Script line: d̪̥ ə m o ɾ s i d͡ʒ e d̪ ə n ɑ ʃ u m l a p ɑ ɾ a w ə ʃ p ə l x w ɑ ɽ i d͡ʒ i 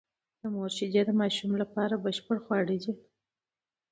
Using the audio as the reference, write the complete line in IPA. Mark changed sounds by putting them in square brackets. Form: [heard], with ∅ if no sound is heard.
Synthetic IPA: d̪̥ ə m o ɾ [ʃ] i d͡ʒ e d̪ ə [m] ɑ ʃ u m l a p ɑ ɾ a [b] ə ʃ p ə [ɽ] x w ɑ ɽ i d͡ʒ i